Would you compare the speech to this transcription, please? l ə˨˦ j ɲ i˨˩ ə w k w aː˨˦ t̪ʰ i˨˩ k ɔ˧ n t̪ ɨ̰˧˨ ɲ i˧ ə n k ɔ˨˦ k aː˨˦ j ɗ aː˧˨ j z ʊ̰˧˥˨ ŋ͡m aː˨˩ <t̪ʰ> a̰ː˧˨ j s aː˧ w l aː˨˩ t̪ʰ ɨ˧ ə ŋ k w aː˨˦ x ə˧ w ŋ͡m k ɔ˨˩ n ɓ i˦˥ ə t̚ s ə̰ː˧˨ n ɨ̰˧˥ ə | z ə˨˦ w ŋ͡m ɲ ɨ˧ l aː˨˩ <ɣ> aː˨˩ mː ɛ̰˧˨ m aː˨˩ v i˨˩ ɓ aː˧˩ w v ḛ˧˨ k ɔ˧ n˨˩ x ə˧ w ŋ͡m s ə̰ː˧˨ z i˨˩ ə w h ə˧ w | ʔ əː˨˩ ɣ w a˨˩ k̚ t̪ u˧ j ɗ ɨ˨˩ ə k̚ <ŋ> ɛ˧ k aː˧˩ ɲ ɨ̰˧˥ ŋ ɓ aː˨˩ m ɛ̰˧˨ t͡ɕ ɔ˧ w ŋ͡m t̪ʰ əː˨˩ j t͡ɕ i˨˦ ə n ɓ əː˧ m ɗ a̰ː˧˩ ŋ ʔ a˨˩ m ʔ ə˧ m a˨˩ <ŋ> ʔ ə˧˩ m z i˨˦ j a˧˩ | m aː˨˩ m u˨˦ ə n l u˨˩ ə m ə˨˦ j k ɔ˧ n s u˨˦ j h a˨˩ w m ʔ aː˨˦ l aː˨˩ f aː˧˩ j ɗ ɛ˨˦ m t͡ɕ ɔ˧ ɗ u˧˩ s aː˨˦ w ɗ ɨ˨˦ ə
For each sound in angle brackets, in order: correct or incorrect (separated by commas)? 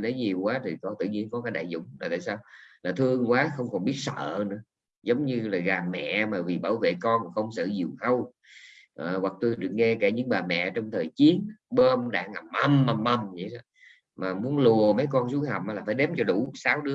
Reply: incorrect, correct, correct, incorrect